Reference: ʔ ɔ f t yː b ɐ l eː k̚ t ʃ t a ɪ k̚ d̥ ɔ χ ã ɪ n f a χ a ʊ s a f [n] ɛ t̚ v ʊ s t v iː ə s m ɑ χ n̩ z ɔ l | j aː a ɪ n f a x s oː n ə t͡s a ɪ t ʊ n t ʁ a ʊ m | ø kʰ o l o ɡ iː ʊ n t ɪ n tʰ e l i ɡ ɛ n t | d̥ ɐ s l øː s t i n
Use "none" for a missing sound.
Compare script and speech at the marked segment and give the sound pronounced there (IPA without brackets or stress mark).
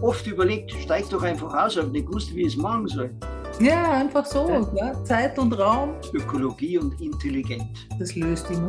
n